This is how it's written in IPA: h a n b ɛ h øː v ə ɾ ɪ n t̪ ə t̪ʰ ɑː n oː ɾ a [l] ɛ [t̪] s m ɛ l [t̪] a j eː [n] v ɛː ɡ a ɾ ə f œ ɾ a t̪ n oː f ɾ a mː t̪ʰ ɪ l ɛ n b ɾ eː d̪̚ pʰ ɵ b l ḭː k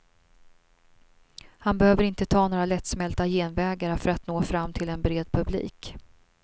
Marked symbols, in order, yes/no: yes, yes, yes, yes

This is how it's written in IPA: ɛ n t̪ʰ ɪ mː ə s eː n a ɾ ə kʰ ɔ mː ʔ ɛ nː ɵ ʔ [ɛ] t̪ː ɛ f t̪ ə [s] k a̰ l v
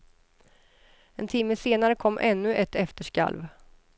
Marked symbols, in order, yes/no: yes, no

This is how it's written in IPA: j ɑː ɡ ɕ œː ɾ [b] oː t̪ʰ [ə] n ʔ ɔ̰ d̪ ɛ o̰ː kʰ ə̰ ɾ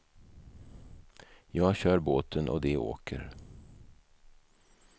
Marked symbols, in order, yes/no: yes, yes

